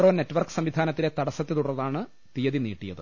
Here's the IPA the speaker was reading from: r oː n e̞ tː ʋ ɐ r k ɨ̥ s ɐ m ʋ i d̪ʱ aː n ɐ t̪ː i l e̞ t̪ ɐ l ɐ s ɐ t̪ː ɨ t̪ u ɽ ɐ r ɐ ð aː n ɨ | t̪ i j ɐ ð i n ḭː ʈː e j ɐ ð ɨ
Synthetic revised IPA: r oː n e̞ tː ʋ ɐ r k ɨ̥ s ɐ m ʋ i d̪ʱ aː n ɐ t̪ː i l e̞ t̪ ɐ ɽ ɐ s ɐ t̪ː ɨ t̪ u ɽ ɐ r ɐ ð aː ɳ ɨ | t̪ i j ɐ ð i n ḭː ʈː i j ɐ ð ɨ